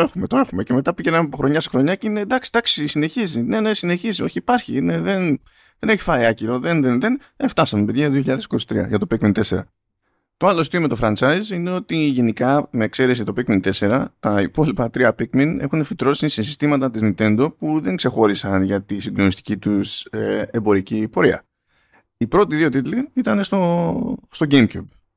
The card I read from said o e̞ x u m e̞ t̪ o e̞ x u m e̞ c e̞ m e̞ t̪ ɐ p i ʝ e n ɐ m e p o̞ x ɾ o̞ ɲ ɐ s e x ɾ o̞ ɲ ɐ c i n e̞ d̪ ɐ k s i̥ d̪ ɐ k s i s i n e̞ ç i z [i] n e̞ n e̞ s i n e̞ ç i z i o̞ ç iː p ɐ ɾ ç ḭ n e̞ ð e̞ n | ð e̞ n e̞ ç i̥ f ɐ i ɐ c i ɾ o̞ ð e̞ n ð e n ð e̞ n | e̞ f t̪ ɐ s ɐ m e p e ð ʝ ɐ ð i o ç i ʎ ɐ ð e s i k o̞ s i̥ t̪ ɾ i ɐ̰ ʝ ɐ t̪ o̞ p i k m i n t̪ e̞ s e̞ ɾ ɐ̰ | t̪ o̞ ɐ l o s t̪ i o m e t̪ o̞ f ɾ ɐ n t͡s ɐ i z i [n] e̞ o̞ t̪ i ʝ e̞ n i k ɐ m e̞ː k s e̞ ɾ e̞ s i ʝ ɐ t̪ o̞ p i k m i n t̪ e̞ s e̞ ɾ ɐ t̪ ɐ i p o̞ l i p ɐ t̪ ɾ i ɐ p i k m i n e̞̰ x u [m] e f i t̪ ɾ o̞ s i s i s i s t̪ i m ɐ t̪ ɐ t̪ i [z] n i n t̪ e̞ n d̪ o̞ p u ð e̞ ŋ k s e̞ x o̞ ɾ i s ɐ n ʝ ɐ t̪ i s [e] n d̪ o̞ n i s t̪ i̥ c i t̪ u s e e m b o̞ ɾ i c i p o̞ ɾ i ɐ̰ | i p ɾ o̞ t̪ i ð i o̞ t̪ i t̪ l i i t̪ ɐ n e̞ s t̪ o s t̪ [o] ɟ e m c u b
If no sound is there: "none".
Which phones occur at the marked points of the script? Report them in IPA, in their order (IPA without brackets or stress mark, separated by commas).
i, n, n, z, i, o